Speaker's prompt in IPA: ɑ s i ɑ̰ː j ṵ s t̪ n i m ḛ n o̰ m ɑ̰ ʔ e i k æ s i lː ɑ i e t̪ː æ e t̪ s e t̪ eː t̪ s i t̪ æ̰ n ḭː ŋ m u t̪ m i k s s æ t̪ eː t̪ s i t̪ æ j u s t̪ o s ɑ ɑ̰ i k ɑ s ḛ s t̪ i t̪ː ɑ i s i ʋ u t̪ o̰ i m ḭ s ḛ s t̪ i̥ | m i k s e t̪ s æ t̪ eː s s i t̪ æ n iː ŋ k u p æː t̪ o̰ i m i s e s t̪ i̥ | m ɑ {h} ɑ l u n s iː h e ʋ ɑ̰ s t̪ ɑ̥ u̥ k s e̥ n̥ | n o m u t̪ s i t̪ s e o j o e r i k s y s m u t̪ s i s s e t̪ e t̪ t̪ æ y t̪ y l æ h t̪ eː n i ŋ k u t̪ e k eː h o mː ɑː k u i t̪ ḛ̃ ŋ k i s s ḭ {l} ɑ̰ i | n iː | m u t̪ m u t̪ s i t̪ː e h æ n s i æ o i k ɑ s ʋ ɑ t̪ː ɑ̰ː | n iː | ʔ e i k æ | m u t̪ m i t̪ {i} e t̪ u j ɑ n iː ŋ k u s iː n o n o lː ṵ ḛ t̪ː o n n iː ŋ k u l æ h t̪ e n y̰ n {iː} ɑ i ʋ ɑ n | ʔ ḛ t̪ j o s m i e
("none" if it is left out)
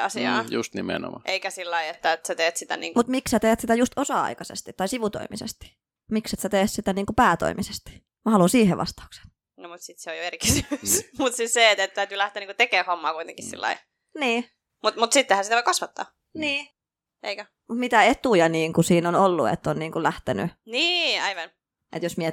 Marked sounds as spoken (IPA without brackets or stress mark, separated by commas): h, lː, æ, iː